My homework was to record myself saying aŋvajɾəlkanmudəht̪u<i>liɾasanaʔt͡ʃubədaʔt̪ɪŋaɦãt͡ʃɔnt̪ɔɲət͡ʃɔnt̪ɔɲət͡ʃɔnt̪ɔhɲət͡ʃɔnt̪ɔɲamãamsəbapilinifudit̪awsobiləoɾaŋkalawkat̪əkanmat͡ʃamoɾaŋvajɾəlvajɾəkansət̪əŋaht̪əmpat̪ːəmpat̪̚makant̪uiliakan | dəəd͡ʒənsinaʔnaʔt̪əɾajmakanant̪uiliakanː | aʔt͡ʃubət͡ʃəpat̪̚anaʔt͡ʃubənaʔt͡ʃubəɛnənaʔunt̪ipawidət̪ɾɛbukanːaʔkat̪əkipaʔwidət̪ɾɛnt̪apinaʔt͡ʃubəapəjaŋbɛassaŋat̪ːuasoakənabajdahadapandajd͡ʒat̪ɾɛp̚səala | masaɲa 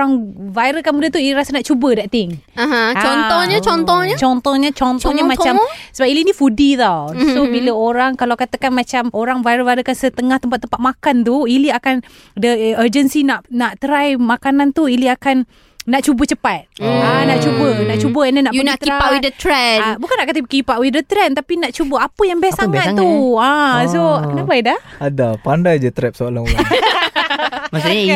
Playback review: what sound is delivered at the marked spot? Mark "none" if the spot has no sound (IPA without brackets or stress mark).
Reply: i